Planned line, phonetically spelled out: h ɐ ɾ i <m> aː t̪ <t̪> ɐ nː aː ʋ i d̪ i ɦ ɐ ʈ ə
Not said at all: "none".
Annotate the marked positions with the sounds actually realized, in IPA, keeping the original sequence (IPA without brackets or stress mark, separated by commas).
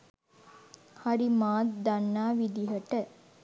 m, d̪